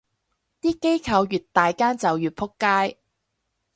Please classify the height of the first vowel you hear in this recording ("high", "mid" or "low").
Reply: high